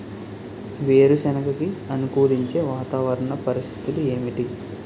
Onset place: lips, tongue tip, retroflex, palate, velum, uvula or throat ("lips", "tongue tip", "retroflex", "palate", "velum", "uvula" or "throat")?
lips